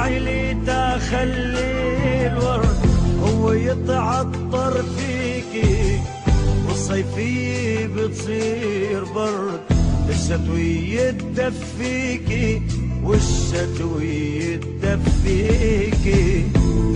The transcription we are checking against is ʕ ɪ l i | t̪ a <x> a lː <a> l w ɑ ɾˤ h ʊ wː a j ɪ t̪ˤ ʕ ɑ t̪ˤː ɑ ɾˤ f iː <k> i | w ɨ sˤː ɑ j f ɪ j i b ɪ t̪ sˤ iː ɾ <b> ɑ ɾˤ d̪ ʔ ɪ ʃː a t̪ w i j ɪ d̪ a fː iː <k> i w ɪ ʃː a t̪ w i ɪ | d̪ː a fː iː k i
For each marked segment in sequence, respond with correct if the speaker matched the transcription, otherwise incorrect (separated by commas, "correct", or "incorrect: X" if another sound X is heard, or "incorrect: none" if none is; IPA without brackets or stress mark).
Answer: correct, incorrect: i, correct, correct, correct